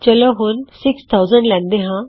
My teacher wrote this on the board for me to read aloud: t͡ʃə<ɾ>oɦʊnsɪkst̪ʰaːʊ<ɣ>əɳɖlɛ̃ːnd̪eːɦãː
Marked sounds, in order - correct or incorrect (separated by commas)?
incorrect, incorrect